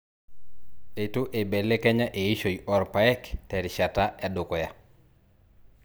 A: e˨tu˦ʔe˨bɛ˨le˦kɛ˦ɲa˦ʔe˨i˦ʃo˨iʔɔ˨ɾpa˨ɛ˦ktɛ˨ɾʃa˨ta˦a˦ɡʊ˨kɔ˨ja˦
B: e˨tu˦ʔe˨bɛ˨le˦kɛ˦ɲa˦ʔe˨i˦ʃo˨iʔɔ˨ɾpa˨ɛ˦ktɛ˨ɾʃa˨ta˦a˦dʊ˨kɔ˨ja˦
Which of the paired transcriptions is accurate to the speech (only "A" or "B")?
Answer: B